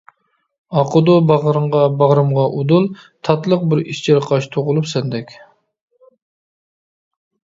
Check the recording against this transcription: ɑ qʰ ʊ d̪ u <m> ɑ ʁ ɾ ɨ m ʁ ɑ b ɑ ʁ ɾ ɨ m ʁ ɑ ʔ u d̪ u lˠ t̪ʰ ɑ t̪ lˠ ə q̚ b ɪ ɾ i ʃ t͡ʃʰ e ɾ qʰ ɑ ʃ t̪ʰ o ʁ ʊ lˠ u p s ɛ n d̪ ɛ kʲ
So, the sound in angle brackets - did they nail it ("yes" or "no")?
no